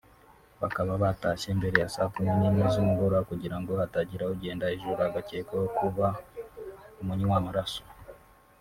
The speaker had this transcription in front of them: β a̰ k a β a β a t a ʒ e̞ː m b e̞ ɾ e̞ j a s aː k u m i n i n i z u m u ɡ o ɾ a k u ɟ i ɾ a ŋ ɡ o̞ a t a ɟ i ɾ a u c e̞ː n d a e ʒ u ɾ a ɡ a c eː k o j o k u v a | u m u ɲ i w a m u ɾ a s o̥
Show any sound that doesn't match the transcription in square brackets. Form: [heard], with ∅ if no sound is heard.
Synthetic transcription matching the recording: β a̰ k a β a β a t a [ʃ] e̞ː m b e̞ ɾ e̞ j a s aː k u m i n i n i z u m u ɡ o ɾ a k u ɟ i ɾ a ŋ ɡ o̞ a t a ɟ i ɾ a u [ɟ] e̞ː n d a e ʒ u ɾ a ɡ a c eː k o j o k u [β] a | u m u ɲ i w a m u ɾ a s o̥